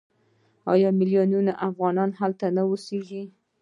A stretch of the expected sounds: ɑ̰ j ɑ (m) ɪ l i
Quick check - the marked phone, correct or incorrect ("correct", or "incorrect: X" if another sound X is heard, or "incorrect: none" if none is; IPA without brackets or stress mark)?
correct